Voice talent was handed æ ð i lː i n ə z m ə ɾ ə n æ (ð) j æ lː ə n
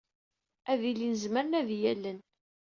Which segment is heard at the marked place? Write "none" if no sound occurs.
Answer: ð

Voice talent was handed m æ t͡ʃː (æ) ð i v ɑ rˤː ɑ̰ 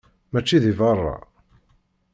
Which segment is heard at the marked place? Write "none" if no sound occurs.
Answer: i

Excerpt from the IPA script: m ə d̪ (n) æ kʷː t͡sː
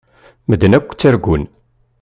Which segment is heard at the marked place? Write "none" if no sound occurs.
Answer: n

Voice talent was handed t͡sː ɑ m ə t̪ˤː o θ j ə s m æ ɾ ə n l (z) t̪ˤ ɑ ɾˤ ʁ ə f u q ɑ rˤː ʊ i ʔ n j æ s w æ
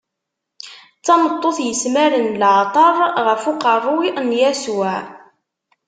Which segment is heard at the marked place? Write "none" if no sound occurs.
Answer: ʕ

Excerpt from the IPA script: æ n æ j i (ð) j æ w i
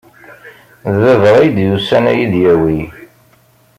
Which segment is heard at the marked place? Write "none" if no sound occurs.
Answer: ð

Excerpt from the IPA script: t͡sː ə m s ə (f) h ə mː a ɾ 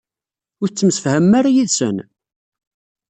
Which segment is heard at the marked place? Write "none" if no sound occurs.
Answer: f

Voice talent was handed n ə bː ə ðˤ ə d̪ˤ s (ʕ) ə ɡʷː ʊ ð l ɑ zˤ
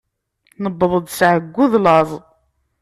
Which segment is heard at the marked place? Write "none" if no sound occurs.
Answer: ʕ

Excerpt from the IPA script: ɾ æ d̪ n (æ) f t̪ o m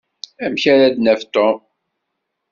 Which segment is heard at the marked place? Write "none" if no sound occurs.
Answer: æ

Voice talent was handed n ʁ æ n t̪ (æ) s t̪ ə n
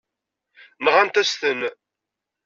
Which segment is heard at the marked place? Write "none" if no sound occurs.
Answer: æ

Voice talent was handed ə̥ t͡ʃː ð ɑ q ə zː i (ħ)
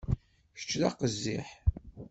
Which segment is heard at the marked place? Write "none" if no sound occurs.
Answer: ħ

